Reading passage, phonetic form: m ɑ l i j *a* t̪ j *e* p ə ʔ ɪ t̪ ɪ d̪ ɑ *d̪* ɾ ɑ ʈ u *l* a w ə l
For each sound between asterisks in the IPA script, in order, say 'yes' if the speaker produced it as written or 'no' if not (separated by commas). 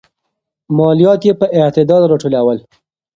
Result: no, yes, yes, yes